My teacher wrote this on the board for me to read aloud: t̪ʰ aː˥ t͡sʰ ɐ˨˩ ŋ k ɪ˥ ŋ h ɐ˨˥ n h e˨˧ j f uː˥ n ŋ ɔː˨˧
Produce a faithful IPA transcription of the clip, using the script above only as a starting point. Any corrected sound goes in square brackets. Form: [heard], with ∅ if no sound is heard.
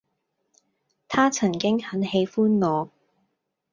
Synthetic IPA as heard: t̪ʰ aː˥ t͡sʰ ɐ˨˩ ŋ k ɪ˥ ŋ h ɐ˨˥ n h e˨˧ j f uː˥ n ŋ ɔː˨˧